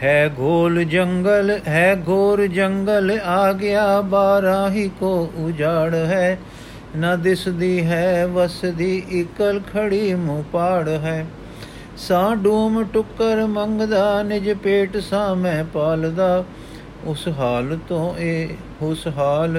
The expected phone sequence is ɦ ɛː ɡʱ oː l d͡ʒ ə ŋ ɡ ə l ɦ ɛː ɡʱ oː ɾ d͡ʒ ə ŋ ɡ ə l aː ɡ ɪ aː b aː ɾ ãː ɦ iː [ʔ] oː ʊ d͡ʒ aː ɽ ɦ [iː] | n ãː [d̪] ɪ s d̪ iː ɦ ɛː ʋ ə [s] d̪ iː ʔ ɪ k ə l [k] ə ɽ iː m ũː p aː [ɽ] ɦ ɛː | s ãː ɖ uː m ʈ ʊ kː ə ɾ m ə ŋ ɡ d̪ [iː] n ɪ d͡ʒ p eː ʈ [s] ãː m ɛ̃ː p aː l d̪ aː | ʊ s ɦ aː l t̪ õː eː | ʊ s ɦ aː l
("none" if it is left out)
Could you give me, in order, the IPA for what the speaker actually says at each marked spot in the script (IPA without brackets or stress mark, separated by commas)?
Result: k, ɛː, d̪, s, kʰ, ɽ, aː, s